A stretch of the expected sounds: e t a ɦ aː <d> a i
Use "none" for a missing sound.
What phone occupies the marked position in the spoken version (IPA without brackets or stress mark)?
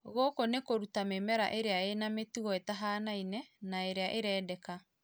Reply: n